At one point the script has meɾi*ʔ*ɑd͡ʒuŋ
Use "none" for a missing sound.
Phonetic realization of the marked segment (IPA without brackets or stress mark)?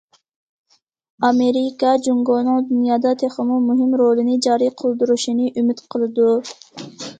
k